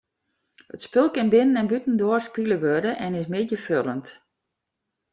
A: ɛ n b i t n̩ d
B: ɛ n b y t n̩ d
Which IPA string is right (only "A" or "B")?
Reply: B